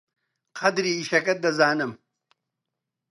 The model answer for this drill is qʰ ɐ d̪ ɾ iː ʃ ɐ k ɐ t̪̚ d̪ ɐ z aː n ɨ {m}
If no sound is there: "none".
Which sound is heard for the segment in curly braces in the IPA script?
m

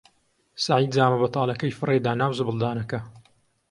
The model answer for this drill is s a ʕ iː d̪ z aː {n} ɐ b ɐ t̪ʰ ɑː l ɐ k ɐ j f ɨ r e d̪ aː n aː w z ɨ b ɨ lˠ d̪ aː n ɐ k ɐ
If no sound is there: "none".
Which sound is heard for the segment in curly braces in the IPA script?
m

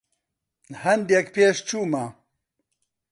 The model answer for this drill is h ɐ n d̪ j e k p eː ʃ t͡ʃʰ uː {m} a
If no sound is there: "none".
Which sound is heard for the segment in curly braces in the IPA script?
m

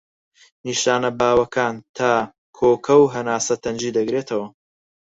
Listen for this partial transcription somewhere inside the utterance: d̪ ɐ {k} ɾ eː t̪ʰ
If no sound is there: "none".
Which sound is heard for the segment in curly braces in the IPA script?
ɡ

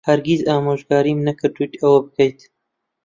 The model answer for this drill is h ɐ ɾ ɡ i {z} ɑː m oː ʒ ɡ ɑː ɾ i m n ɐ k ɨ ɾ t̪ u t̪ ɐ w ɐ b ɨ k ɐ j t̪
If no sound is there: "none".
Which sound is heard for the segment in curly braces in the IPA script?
z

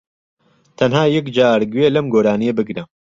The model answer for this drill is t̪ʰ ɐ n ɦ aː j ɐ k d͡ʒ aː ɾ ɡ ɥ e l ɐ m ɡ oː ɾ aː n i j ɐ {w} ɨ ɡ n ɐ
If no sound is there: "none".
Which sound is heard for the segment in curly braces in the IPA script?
b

